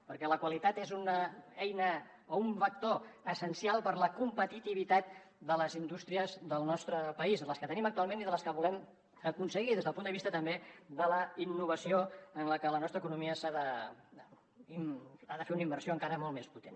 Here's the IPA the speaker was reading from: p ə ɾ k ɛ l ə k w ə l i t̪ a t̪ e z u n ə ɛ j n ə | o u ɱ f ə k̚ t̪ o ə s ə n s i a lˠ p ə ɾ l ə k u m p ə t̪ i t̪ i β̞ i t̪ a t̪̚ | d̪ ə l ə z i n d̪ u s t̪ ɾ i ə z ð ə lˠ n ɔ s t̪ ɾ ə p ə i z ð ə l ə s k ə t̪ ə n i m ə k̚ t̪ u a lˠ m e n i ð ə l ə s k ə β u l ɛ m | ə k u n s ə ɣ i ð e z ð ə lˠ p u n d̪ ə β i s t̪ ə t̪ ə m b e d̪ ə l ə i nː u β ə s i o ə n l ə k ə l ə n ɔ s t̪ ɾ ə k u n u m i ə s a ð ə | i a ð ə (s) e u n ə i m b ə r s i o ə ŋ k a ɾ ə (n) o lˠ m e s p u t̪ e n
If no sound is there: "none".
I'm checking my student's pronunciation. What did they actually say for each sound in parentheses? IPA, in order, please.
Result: f, m

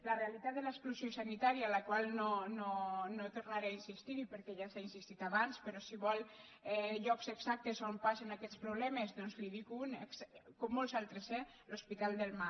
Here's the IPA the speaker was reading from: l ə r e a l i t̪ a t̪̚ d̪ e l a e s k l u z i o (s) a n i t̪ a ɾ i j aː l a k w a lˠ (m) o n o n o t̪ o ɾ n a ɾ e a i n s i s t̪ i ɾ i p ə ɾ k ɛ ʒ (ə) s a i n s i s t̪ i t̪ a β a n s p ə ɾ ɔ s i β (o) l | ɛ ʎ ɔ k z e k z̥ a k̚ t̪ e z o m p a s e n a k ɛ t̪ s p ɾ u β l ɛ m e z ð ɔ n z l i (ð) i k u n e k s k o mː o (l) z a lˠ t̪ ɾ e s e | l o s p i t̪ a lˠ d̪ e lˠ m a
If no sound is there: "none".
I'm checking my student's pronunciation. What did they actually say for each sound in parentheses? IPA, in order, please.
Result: s, n, a, ɔ, ð, l

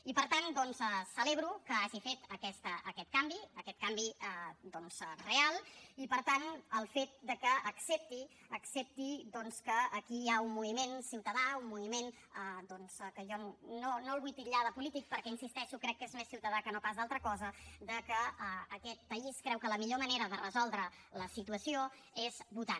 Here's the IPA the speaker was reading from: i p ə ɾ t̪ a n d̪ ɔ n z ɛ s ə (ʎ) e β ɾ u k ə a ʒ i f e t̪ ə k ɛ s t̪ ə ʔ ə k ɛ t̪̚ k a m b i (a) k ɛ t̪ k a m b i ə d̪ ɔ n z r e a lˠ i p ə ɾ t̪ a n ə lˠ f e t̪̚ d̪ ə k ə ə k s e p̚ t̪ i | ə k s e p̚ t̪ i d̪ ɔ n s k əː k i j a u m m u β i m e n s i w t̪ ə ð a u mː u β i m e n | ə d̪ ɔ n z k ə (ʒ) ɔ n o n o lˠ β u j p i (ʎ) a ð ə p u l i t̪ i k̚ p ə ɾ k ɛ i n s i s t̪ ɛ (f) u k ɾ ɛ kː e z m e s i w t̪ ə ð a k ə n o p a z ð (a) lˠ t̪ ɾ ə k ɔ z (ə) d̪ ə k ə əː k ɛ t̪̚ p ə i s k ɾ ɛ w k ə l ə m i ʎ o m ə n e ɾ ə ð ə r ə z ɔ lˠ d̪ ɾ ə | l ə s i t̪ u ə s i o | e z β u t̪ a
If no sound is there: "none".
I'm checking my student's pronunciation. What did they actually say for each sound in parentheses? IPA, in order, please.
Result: l, ə, ʒ, ʎ, ʃ, a, ə

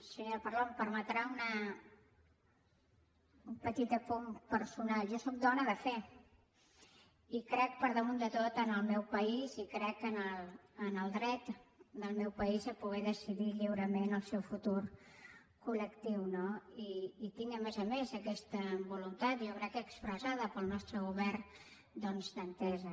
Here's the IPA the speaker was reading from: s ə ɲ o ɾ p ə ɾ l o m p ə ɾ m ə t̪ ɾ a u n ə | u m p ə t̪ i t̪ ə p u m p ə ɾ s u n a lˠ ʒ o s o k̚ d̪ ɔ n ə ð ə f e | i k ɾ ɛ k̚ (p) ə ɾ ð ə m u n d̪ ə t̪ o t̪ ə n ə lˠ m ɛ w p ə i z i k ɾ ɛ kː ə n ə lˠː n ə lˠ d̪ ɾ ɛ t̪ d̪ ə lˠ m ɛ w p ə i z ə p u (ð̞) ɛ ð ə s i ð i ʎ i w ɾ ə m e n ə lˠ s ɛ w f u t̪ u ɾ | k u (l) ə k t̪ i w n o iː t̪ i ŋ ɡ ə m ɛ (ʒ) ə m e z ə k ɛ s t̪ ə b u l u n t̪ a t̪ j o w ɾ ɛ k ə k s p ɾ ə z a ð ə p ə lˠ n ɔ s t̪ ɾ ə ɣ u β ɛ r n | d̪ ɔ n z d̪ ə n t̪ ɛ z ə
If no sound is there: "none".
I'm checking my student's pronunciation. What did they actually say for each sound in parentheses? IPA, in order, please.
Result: p, ɣ̞, l, z

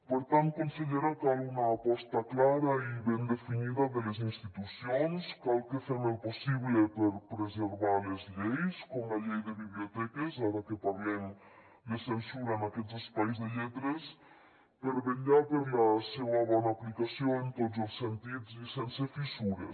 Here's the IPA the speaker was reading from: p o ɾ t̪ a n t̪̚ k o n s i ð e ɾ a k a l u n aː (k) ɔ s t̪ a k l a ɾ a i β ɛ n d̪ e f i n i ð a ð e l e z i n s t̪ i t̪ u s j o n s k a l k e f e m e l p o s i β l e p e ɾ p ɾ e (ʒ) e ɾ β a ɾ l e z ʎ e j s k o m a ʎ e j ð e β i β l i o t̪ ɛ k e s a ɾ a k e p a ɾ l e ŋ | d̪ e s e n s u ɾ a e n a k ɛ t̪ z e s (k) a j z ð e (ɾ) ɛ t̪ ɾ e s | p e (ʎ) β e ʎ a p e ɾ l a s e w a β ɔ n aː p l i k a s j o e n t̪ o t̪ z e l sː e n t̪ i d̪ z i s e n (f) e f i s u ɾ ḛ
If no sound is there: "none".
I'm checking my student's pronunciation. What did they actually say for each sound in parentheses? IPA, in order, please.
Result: p, z, p, ʎ, ɾ, s

